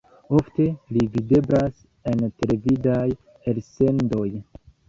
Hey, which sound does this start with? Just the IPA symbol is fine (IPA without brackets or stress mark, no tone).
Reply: o̞